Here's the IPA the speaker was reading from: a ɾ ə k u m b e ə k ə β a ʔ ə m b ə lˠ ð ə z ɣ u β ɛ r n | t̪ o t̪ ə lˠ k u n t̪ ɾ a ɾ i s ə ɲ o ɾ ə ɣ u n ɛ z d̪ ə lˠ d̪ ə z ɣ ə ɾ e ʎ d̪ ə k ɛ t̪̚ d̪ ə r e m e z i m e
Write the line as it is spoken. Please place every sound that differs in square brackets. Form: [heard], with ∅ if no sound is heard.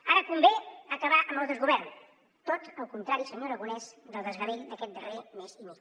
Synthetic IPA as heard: a ɾ ə k u m b e ə k ə β a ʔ ə m b ə lˠ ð ə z ɣ u β ɛ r n | t̪ o t̪ ə lˠ k u n t̪ ɾ a ɾ i s ə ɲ o ɾ ə ɣ u n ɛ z d̪ ə lˠ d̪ ə z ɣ ə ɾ e ʎ d̪ ə k ɛ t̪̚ d̪ ə r e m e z i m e